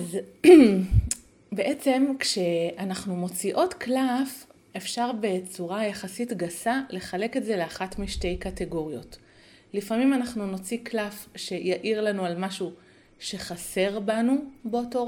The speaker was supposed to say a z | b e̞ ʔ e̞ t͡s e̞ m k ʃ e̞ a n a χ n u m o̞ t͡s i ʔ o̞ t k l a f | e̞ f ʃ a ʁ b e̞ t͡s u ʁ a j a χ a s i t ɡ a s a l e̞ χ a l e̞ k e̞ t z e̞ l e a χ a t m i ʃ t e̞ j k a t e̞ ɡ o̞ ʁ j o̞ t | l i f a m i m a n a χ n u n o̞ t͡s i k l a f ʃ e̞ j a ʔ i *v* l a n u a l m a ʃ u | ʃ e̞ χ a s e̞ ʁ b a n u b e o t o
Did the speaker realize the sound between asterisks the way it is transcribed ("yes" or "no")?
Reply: no